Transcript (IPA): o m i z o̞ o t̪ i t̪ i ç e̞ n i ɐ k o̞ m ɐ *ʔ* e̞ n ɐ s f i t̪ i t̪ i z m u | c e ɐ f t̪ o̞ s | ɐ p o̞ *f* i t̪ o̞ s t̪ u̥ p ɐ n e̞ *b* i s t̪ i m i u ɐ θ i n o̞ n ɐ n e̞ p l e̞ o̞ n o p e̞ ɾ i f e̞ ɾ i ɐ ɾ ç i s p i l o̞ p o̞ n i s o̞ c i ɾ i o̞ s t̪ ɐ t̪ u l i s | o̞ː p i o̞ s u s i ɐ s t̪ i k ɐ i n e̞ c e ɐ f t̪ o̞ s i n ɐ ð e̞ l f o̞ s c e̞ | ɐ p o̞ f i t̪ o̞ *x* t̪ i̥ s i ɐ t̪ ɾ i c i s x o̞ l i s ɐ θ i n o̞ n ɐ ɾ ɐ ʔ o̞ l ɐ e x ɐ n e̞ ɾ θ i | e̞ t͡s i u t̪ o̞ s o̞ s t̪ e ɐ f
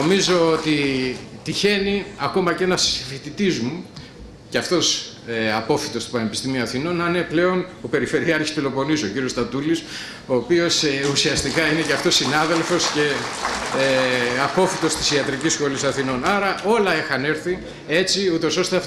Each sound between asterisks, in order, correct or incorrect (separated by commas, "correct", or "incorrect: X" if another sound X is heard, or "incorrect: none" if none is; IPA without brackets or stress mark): incorrect: c, correct, incorrect: p, incorrect: s